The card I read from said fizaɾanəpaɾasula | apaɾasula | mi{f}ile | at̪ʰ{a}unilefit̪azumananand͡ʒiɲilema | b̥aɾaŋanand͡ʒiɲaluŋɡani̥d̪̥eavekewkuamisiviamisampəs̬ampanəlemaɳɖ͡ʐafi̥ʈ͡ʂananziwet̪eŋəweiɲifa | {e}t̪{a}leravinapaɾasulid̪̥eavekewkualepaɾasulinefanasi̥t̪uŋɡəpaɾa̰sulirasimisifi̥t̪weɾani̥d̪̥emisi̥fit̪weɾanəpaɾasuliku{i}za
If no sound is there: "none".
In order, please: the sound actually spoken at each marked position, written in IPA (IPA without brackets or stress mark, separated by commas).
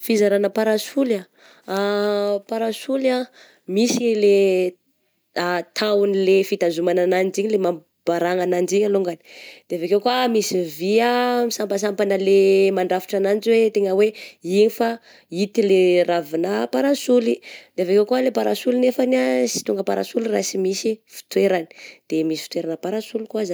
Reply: s, a, i, i, a